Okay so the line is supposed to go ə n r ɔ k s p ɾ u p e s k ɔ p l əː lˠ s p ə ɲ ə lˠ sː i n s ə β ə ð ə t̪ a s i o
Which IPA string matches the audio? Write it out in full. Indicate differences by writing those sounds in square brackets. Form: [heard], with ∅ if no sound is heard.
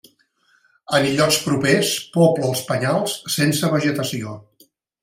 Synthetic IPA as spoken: ə n [ʎ] ɔ k s p ɾ u p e s [p] ɔ p l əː lˠ s p ə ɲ [a] lˠ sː [e] n s ə β ə [ʒ] ə t̪ [ə] s i o